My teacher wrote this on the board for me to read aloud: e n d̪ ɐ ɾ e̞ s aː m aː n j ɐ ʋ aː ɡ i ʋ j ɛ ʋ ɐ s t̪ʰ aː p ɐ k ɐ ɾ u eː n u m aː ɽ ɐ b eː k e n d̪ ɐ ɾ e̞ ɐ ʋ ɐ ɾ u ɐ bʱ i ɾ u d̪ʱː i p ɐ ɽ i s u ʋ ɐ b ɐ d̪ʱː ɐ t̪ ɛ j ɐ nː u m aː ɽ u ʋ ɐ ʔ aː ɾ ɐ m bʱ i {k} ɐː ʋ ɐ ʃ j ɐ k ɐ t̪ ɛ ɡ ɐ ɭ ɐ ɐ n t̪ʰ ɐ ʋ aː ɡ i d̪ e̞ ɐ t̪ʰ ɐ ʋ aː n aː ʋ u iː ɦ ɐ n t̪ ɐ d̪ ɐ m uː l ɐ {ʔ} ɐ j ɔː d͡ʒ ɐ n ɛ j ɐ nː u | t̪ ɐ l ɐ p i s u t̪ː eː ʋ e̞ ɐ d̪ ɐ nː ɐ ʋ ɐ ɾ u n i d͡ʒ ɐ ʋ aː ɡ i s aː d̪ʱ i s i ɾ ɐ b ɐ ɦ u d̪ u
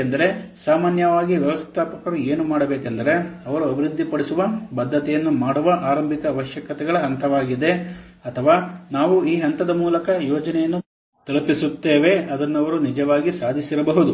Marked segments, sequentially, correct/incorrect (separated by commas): correct, incorrect